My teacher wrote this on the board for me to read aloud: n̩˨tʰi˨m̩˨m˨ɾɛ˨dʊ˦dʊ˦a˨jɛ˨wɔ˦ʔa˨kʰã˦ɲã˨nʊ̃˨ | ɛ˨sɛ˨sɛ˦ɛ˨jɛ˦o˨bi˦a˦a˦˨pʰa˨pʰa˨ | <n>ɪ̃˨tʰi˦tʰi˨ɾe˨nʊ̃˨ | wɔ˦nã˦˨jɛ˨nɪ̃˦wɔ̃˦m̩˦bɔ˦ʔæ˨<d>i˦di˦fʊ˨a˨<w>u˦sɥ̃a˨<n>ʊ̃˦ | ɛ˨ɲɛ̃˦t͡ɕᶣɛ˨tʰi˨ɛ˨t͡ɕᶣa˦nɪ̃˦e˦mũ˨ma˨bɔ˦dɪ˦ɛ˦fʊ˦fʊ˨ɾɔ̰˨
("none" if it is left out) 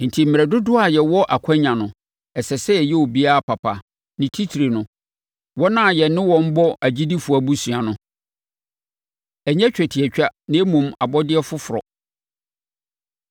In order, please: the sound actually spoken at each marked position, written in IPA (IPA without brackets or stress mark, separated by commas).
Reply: n, d͡ʑ, b, n